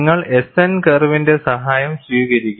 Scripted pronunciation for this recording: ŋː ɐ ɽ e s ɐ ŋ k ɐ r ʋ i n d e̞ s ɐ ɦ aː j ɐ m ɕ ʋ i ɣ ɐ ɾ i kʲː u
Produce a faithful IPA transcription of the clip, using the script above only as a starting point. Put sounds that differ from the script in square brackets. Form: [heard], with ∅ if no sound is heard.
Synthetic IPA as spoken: ŋː ɐ [ɭ] e s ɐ [n] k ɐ r ʋ i n d e̞ s ɐ ɦ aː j ɐ m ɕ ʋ [iː] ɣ ɐ ɾ i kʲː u

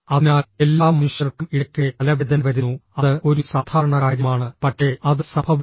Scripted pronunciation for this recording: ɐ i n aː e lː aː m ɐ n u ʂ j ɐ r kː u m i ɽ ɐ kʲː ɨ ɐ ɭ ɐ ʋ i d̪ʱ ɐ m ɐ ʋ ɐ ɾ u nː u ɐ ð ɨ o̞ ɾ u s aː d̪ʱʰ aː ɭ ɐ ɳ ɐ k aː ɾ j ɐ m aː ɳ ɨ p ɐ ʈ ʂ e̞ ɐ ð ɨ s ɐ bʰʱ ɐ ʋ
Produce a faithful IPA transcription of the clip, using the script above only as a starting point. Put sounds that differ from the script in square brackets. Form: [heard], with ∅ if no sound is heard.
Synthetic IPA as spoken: ɐ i n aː e lː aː m ɐ n u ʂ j ɐ r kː u m i ɽ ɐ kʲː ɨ ɐ [l] ɐ ʋ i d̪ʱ ɐ [n] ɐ ʋ ɐ ɾ u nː u ɐ ð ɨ o̞ ɾ u s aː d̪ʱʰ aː [ɾ] ɐ ɳ ɐ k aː ɾ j ɐ m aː ɳ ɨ p ɐ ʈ ʂ e̞ ɐ ð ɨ s ɐ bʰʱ ɐ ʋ

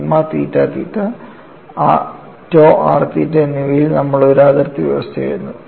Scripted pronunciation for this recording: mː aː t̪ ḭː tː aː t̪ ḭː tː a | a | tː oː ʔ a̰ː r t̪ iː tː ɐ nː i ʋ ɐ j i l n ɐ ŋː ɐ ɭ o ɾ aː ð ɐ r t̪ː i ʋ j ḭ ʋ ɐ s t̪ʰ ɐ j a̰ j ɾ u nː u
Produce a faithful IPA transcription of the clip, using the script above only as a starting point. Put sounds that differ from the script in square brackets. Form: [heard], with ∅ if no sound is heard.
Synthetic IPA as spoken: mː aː t̪ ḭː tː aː t̪ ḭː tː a | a | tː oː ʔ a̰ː r t̪ iː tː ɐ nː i ʋ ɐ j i l n ɐ [mː] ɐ ɭ o ɾ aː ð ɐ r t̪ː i ʋ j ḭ ʋ ɐ s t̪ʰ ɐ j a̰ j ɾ u nː u

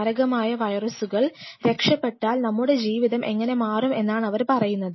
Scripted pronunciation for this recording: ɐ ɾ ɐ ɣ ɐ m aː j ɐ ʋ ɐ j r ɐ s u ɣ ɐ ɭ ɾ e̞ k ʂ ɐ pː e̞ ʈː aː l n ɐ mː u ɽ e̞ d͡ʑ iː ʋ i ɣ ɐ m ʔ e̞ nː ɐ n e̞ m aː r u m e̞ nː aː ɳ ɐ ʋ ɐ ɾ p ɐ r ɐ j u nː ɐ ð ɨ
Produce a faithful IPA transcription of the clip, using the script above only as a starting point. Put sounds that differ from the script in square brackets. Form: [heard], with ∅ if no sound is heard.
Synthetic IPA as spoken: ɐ ɾ ɐ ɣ ɐ m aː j ɐ ʋ ɐ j r ɐ s u ɣ ɐ ɭ ɾ e̞ k ʂ ɐ pː e̞ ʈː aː l n ɐ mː u ɽ e̞ d͡ʑ iː ʋ i [ð] ɐ m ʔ e̞ [ŋː] ɐ n e̞ m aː r u m e̞ nː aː ɳ ɐ ʋ ɐ ɾ p ɐ r ɐ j u nː ɐ ð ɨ

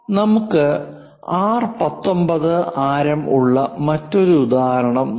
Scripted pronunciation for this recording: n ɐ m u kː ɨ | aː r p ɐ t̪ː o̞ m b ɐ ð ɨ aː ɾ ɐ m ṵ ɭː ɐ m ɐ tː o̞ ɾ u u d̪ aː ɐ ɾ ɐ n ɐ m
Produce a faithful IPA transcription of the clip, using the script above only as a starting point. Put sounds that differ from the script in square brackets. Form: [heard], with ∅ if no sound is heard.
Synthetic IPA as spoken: n ɐ m u kː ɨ | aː r p ɐ t̪ː o̞ m b ɐ ð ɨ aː ɾ ɐ m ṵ ɭː ɐ m ɐ tː o̞ ɾ u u d̪ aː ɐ ɾ ɐ [ɳ] ɐ m

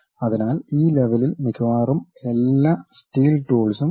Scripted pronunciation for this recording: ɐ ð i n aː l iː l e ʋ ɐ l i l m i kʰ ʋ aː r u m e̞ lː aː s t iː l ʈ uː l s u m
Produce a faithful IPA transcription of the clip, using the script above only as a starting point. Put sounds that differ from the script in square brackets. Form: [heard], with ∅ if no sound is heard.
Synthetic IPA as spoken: ɐ ð i n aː l iː l e ʋ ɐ l i l m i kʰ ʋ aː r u m e̞ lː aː s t iː l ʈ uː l s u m

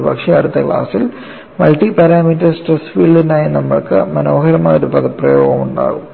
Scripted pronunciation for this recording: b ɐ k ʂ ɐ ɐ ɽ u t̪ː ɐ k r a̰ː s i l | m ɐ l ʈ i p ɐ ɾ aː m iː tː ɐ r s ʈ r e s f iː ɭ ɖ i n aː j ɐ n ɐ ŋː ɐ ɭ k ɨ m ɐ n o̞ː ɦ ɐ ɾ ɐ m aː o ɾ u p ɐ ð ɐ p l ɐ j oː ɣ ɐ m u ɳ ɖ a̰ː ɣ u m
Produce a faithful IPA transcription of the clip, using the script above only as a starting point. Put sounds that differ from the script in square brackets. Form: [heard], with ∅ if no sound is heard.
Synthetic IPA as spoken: b ɐ k ʂ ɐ ɐ ɽ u t̪ː ɐ k [ɭ] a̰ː s i l | m ɐ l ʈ i p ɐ ɾ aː m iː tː ɐ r s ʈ r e s f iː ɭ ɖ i n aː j ɐ n ɐ [mː] ɐ ɭ k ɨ m ɐ n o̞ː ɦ ɐ ɾ ɐ m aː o ɾ u p ɐ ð ɐ p [r] ɐ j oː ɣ ɐ m u ɳ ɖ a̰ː ɣ u m

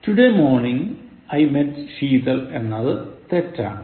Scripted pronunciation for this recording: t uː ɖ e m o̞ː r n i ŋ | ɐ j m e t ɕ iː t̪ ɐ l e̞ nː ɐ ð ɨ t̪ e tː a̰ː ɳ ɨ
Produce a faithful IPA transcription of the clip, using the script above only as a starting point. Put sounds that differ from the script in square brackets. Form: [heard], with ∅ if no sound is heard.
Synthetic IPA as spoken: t [u] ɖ e m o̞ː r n i ŋ | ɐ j m e t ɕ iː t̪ ɐ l e̞ nː ɐ ð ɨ t̪ e tː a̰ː ɳ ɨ

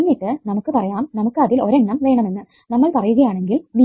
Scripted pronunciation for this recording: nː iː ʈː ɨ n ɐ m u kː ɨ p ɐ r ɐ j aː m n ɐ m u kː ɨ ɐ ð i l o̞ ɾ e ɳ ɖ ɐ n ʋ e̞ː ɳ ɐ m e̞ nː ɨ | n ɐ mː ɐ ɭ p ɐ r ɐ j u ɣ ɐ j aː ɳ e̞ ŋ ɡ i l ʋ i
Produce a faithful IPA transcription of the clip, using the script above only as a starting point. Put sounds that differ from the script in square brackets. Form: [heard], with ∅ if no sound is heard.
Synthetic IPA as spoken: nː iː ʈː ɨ n ɐ m u kː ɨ p ɐ r ɐ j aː m n ɐ m u kː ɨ ɐ ð i l o̞ ɾ e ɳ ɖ ɐ [m] ʋ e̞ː ɳ ɐ m e̞ nː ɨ | n ɐ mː ɐ ɭ p ɐ r ɐ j u ɣ ɐ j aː ɳ e̞ ŋ ɡ i l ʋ i

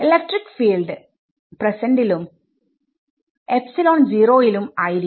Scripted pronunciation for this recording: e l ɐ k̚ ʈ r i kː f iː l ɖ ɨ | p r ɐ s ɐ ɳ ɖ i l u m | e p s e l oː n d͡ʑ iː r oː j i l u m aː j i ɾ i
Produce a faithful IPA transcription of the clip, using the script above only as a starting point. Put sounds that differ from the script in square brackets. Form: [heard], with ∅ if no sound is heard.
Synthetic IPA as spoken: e l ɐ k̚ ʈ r i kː f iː l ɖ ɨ | p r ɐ s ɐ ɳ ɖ i l u m | e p s [i] l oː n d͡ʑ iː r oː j i l u m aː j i ɾ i

